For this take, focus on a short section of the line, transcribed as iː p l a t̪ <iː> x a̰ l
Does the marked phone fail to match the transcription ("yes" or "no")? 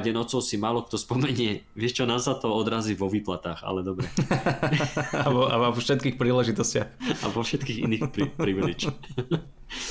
yes